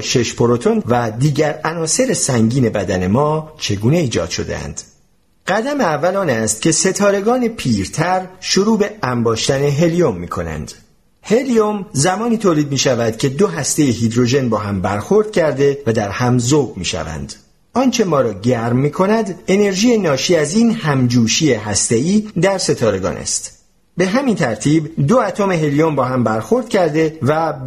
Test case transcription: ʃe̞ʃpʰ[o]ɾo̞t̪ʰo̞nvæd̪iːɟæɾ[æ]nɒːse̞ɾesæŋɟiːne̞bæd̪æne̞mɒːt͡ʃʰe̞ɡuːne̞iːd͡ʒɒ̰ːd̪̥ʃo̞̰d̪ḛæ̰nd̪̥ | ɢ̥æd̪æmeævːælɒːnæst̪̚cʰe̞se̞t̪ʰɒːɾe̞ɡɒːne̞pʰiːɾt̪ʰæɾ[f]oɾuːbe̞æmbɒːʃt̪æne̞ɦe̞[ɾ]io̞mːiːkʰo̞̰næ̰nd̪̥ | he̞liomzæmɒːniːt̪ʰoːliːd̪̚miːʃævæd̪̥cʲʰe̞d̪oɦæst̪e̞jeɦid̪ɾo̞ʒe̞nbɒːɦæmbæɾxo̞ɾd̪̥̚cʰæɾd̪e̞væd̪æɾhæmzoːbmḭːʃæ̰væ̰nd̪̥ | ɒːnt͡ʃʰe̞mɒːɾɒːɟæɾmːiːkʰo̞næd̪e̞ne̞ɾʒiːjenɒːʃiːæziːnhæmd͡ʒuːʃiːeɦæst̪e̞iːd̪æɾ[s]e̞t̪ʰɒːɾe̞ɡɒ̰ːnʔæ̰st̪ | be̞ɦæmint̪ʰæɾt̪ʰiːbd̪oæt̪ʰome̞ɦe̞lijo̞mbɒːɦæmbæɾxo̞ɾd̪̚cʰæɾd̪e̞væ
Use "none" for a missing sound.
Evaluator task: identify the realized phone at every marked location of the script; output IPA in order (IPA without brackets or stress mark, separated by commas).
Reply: o, æ, ʃ, l, s